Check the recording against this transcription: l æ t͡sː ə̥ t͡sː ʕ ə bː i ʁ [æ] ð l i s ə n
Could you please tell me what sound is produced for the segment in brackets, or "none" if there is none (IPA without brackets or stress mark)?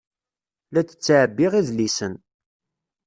i